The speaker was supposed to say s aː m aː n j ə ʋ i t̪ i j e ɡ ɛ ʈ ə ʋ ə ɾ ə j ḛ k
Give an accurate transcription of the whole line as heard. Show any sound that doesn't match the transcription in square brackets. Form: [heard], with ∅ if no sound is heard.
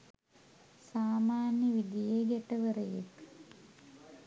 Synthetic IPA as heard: s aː m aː n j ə ʋ i [d̪] i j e ɡ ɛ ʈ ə ʋ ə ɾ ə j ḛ k